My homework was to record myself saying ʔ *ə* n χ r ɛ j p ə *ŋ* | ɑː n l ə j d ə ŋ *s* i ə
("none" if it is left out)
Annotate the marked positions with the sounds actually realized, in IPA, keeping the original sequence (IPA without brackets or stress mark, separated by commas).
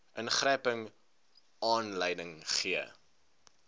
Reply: ə, ŋ, χ